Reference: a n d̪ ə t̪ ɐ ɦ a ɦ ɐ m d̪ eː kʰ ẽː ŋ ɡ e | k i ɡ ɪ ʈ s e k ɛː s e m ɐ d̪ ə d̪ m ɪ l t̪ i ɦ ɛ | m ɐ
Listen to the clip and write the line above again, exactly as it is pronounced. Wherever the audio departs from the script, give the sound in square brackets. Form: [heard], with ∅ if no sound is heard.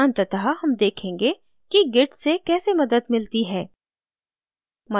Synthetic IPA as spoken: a n [t̪] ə t̪ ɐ ɦ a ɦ ɐ m d̪ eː kʰ ẽː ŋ ɡ e | k i ɡ ɪ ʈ s e k ɛː s e m ɐ d̪ ə d̪ m ɪ l t̪ i ɦ [ɛː] | m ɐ